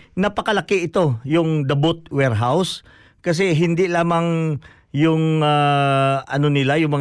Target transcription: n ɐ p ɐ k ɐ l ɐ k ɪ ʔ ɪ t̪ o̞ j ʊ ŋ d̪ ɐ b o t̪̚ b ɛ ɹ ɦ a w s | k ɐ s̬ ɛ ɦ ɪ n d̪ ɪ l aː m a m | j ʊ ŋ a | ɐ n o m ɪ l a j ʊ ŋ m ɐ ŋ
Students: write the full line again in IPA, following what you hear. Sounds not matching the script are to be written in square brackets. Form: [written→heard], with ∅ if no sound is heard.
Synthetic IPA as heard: n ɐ p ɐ k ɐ l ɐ k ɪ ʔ ɪ t̪ o̞ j ʊ ŋ d̪ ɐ b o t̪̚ [b→w] ɛ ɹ ɦ a w s | k ɐ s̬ ɛ ɦ ɪ n d̪ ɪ l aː m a [m→ŋ] | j ʊ ŋ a | ɐ n o [m→n] ɪ l a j ʊ ŋ m ɐ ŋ